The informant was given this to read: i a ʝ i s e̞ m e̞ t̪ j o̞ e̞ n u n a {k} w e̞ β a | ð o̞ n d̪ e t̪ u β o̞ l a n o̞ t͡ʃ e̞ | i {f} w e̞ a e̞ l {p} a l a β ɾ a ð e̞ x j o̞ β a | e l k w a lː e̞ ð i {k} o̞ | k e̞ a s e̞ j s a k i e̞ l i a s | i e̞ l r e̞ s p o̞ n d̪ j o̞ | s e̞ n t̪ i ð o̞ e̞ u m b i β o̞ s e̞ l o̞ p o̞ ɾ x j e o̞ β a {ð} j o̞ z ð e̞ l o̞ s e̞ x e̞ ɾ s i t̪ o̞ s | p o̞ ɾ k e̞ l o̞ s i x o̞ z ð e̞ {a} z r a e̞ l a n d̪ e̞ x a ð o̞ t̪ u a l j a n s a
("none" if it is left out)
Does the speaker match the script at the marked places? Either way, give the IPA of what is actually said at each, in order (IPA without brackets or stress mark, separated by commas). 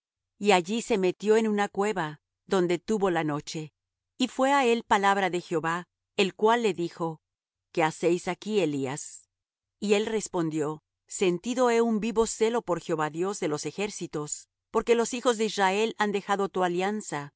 k, f, p, x, ð, i